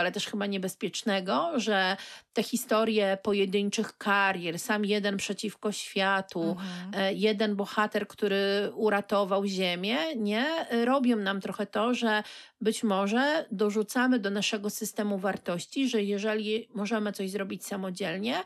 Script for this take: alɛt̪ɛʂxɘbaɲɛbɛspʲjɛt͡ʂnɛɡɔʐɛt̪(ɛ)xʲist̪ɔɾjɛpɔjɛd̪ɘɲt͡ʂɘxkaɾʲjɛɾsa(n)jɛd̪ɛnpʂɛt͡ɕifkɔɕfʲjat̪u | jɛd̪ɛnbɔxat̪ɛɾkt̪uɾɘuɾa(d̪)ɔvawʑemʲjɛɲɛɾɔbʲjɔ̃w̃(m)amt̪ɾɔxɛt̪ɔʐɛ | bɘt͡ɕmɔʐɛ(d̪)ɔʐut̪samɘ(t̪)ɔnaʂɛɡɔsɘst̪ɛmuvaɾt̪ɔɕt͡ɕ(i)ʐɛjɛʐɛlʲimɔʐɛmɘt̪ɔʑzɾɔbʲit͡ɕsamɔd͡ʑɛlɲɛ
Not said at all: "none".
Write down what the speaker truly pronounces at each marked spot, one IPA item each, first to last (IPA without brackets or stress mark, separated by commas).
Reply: ɛ, m, t̪, n, d̪, d̪, i